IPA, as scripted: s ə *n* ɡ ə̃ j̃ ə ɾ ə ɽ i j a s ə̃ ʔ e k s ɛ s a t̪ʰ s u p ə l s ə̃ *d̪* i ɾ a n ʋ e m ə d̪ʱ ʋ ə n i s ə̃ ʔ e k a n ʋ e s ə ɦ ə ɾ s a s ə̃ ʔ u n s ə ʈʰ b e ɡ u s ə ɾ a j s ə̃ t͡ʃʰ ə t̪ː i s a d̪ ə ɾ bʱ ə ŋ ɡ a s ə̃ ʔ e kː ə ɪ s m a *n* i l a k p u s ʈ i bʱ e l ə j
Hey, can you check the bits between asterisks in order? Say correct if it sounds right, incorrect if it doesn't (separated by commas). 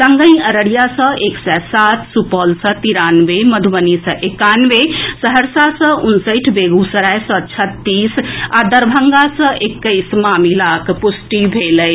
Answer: incorrect, incorrect, incorrect